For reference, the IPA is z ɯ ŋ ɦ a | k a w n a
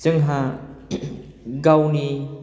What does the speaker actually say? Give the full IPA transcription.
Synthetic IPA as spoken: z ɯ ŋ ɦ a | ɡ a w n i